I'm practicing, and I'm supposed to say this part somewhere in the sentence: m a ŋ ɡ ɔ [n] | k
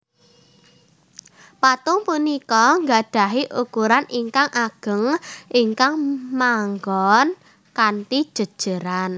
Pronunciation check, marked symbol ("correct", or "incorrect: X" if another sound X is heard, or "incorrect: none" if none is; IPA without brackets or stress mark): correct